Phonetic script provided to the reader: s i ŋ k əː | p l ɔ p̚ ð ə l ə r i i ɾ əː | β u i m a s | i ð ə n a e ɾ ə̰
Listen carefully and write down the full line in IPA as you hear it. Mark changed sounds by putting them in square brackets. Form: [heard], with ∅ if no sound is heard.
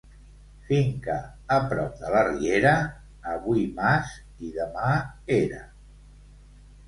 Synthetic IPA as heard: [f] i ŋ k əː | p [ɾ] ɔ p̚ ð ə l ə r i [e] ɾ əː | β u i m a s | i ð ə [m] a e ɾ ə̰